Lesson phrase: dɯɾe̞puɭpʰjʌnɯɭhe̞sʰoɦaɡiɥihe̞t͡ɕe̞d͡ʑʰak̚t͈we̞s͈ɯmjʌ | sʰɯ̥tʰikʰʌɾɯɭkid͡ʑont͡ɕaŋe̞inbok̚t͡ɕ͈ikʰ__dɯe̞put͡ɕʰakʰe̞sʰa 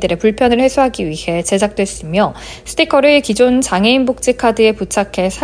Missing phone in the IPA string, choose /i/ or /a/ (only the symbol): a